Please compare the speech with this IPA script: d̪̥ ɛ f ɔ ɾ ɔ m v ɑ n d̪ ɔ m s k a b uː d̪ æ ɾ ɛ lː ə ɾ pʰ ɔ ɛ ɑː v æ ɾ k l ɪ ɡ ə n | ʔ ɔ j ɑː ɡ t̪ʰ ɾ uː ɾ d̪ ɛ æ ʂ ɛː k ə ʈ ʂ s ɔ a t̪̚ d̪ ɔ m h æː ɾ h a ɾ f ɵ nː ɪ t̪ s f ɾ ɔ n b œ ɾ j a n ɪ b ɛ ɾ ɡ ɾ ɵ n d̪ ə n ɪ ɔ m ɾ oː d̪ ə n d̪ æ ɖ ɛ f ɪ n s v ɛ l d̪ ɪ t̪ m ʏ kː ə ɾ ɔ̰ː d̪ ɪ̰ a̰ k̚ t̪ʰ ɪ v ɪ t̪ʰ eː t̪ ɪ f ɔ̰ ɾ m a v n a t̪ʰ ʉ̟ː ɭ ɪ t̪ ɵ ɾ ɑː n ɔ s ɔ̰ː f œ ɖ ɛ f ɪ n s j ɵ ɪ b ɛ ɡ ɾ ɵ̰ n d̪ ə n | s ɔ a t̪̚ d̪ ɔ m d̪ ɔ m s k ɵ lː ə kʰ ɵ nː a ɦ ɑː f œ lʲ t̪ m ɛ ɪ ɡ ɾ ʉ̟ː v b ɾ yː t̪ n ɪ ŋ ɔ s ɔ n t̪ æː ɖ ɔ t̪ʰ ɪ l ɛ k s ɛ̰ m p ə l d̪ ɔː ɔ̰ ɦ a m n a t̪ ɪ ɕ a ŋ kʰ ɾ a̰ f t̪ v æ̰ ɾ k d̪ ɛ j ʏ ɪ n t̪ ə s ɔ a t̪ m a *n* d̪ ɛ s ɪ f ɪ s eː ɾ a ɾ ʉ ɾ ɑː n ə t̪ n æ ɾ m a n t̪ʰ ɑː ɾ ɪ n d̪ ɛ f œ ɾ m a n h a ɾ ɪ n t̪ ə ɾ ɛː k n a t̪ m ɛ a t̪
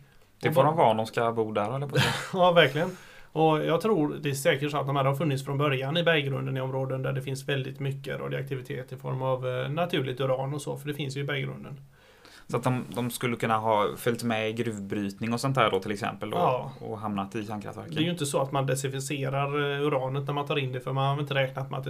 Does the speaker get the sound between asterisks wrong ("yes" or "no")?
no